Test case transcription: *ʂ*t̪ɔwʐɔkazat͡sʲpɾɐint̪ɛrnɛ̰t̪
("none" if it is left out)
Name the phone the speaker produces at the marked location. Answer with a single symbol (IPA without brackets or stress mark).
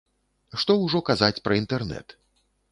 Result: ʂ